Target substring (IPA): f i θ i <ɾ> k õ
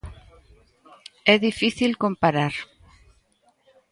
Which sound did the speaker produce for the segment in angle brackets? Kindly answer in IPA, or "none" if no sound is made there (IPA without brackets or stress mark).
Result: l